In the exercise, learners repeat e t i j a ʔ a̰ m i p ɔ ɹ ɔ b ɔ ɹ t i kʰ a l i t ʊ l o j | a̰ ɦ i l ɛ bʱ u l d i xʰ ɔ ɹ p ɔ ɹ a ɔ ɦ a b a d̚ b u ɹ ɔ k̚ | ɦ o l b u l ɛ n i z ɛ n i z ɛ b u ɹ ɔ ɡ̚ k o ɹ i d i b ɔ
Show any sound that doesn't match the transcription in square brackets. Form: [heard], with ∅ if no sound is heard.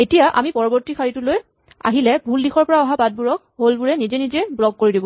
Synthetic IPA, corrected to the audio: e t i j a ʔ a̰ m i p ɔ ɹ ɔ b ɔ ɹ t i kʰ a [ɹ] i t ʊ l o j | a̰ ɦ i l ɛ bʱ u l d i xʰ ɔ ɹ p ɔ ɹ a ɔ ɦ a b a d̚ b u ɹ ɔ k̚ | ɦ o l b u [ɹ] ɛ n i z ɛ n i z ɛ b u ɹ ɔ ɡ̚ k o ɹ i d i b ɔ